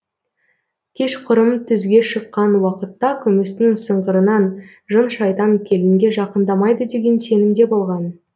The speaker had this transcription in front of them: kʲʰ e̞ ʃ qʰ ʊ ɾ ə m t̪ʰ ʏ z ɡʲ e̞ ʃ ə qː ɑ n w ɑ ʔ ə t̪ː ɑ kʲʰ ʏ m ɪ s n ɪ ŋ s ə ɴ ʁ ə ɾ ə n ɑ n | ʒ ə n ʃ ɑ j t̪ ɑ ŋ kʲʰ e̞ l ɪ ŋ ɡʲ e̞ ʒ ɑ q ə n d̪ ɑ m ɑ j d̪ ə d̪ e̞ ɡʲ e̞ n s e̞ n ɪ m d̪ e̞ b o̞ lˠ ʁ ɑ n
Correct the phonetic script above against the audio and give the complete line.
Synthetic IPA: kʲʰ e̞ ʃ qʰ ʊ ɾ ə m t̪ʰ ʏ z ɡʲ e̞ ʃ ə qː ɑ n w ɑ q ə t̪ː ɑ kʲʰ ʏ m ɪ s n ɪ ŋ s ə ɴ ʁ ə ɾ ə n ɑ n | ʒ ə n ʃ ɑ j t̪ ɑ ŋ kʲʰ e̞ l ɪ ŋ ɡʲ e̞ ʒ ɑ q ə n d̪ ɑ m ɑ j d̪ ə d̪ e̞ ɡʲ e̞ n s e̞ n ɪ m d̪ e̞ b o̞ lˠ ʁ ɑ n